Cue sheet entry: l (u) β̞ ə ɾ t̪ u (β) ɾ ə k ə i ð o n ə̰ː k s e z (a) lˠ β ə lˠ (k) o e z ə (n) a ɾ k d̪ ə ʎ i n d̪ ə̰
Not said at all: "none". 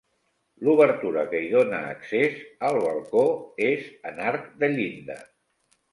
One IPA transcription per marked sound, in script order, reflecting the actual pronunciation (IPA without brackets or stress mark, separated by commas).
u, none, ə, k, n